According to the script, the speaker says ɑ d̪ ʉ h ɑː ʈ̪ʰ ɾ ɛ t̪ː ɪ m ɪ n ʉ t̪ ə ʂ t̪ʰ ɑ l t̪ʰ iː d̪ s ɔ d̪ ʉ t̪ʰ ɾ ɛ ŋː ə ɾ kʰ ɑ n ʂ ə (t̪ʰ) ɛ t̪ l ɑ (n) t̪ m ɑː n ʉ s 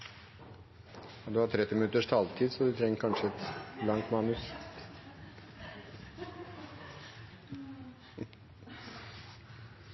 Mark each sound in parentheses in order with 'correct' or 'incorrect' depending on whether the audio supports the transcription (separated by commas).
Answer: incorrect, incorrect